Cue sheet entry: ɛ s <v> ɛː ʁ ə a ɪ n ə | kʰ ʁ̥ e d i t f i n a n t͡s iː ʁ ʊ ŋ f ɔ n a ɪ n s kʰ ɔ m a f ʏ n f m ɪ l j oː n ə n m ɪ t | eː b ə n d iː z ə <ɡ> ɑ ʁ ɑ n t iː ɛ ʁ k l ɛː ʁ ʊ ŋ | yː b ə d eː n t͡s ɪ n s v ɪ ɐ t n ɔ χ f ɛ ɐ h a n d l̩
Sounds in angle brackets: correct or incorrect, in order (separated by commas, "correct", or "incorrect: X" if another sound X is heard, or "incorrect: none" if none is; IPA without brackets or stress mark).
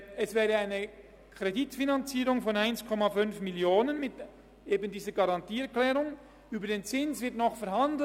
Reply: correct, correct